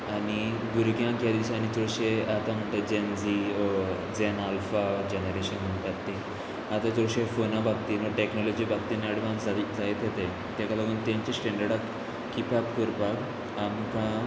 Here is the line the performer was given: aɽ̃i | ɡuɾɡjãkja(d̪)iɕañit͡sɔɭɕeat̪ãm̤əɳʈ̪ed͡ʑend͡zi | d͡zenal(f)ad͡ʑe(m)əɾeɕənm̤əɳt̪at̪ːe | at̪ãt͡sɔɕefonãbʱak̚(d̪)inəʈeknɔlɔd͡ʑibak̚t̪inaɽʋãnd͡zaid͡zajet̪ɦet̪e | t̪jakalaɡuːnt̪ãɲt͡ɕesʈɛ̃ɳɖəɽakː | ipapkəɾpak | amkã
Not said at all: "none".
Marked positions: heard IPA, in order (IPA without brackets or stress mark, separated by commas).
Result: d̪, f, n, t̪